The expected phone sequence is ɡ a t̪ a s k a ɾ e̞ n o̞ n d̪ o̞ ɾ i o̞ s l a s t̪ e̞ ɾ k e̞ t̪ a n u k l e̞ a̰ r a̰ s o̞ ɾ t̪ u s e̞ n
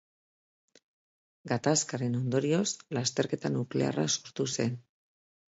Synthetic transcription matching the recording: ɡ a t̪ a s k a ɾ e̞ n o̞ n d̪ o̞ ɾ i o̞ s l a s t̪ e̞ ɾ k e̞ t̪ a n u k l e̞ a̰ r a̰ s o̞ ɾ t̪ u s e̞ n